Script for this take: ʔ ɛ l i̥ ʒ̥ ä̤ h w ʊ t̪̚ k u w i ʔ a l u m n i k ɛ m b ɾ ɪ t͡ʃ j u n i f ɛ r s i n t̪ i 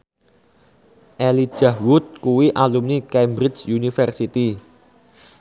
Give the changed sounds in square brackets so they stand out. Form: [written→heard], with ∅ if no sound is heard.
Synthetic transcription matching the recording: ʔ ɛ l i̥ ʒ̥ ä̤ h w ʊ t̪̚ k u w i ʔ a l u m n i k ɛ m b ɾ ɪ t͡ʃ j u n i f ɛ r s i [n→∅] t̪ i